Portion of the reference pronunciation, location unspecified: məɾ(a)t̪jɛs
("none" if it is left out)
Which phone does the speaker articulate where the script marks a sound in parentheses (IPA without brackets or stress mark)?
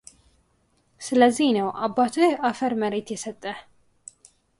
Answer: e